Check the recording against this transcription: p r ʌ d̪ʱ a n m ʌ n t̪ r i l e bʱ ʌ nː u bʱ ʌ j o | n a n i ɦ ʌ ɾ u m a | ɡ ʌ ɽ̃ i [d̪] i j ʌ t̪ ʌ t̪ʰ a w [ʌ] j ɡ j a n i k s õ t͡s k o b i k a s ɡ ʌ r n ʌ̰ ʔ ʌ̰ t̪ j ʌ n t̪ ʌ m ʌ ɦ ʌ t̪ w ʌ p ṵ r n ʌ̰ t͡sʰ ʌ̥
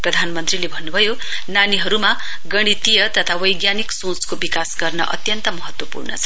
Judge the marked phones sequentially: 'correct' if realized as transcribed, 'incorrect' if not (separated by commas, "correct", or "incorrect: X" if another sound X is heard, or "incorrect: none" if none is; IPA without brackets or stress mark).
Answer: incorrect: t̪, correct